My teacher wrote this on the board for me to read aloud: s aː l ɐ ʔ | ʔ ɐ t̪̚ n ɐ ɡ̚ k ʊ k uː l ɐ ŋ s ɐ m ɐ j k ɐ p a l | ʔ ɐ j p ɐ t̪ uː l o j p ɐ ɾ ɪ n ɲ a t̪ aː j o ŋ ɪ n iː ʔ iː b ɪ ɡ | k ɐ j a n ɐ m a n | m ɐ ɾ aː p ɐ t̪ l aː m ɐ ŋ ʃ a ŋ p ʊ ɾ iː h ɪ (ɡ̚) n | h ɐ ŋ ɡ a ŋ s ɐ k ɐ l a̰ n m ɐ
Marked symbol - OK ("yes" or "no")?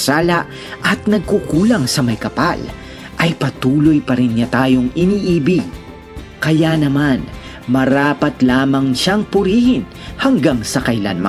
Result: no